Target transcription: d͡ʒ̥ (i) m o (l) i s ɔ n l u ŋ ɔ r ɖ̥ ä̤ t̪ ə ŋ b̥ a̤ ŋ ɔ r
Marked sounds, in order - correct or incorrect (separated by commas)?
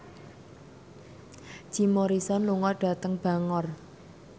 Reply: correct, incorrect